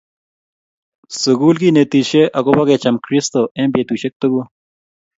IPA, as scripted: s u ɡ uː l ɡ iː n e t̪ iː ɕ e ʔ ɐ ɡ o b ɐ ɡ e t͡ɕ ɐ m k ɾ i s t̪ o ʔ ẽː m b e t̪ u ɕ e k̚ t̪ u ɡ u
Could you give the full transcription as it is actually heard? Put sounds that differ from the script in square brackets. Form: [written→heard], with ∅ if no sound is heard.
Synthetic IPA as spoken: s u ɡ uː l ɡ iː n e t̪ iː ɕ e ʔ ɐ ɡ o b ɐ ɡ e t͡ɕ ɐ m k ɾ i s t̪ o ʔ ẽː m b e t̪ u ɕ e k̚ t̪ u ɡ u